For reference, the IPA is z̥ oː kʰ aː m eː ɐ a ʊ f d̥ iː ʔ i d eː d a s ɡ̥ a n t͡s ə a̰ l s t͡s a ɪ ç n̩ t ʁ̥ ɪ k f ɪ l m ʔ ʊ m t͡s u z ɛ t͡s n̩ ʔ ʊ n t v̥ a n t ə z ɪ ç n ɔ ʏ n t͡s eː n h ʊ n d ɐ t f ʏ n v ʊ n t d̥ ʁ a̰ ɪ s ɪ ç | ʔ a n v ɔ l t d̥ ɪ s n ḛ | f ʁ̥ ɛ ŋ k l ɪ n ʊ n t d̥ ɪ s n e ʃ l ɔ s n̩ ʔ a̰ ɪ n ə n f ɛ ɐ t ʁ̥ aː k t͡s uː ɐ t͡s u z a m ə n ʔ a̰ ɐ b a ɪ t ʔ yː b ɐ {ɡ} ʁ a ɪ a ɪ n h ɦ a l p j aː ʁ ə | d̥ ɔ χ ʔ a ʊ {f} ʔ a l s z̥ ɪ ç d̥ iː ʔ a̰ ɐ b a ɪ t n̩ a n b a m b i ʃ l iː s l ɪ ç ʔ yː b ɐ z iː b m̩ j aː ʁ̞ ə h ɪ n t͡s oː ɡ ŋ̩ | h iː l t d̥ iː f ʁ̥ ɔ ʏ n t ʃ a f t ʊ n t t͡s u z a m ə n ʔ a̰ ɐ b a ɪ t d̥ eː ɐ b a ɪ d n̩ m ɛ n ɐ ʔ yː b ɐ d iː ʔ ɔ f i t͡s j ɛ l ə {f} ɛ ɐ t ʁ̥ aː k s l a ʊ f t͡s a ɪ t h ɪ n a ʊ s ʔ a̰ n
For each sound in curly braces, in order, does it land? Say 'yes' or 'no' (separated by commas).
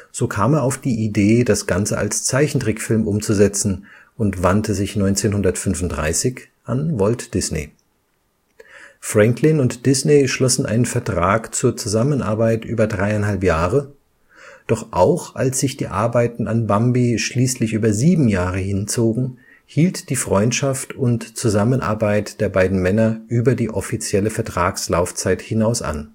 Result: no, no, yes